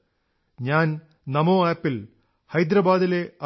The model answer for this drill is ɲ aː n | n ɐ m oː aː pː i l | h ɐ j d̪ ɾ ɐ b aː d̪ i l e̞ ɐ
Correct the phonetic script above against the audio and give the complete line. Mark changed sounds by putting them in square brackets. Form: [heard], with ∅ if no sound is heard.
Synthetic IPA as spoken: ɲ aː n | n ɐ m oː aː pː i l | h ɐ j d̪ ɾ ɐ b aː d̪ i l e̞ ɐ